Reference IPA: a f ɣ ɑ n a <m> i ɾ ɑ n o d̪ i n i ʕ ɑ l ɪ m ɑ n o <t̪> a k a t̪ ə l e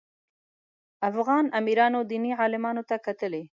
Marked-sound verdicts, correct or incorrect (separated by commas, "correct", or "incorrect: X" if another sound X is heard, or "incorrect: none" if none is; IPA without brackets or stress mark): correct, correct